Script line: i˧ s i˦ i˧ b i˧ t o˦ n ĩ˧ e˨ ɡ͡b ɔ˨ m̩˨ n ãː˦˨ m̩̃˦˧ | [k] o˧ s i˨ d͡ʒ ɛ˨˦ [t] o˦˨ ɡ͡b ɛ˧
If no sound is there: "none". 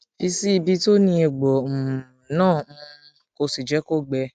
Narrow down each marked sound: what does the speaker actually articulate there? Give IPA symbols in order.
k, k

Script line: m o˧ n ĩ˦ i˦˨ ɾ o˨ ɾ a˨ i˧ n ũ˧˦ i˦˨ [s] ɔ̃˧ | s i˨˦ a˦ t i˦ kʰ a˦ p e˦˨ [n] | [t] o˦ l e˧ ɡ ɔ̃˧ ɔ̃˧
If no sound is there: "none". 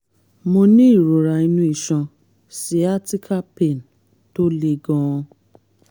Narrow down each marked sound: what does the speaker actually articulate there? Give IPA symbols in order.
ʃ, n, t

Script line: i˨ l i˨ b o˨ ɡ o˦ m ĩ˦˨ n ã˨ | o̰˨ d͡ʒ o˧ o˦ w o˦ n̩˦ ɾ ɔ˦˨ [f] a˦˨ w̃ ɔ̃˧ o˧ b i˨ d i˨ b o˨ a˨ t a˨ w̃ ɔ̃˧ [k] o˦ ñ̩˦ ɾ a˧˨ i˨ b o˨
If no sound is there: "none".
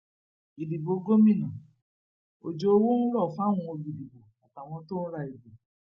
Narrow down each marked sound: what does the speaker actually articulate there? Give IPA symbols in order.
f, t

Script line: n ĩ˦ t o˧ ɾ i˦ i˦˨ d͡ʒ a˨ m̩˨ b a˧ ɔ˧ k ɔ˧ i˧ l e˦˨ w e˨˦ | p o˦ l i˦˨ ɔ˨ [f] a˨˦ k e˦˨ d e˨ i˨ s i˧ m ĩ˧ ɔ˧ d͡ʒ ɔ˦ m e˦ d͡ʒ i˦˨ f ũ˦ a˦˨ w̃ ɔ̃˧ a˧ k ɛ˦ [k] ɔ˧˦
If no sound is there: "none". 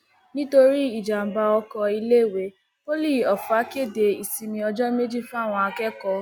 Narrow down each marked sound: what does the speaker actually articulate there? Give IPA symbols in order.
f, k

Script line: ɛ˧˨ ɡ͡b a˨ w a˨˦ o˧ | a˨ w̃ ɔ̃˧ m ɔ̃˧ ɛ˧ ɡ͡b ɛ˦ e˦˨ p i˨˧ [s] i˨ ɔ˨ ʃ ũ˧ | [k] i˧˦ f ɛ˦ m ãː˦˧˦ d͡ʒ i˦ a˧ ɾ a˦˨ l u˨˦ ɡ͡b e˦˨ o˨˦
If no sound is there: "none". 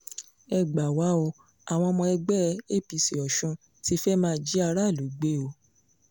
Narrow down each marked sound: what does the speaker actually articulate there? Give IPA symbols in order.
s, t

